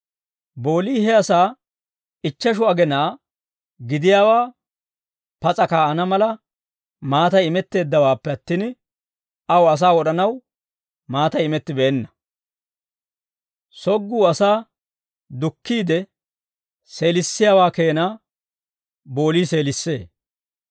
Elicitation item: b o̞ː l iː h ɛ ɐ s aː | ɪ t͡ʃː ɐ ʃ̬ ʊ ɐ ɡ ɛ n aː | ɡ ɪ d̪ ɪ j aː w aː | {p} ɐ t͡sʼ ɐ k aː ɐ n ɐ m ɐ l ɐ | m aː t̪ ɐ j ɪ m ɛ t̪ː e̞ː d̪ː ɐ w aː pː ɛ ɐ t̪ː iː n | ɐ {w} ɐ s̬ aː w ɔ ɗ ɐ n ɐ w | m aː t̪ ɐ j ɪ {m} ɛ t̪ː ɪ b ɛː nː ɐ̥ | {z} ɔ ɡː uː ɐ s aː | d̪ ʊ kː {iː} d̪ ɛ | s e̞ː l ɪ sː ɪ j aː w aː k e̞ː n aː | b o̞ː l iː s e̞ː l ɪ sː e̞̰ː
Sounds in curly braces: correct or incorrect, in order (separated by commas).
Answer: correct, correct, correct, incorrect, correct